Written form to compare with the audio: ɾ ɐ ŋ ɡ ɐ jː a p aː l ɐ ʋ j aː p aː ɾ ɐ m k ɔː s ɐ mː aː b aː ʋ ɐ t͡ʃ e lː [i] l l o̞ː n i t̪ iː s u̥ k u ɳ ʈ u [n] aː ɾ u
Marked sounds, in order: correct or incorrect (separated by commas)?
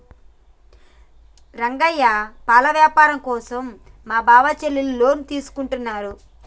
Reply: correct, incorrect